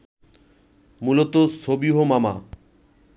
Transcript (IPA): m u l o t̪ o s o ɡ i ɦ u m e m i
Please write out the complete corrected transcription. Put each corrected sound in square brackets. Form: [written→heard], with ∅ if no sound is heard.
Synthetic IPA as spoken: m u l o t̪ o s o [ɡ→b] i ɦ [u→o] m [e→a] m [i→a]